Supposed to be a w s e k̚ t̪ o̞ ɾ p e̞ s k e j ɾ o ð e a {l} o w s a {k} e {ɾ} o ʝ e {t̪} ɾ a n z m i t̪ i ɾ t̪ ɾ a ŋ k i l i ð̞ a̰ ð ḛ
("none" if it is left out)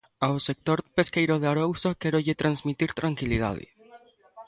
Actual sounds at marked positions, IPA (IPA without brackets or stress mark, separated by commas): ɾ, k, ɾ, t̪